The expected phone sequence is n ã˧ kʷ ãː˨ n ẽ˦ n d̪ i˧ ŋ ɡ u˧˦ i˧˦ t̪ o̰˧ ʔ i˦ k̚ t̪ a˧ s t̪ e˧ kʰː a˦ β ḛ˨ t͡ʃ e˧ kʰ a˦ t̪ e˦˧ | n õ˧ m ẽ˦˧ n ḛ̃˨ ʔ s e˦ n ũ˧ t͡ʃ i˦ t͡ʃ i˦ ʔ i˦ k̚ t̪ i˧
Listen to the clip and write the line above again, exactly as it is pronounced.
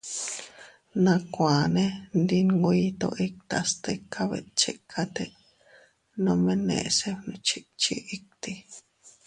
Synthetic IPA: n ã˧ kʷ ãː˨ n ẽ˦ n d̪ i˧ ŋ ɡ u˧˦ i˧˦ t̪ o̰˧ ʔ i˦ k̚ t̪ a˧ s t̪ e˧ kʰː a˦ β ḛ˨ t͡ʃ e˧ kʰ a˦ t̪ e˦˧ | n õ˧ m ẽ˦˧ n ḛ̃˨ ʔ s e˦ n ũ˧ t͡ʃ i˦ t͡ʃ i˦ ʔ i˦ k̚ t̪ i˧